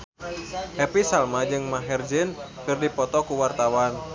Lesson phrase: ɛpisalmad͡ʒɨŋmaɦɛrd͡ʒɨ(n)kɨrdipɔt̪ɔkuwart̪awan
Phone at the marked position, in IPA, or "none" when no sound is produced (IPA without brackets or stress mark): n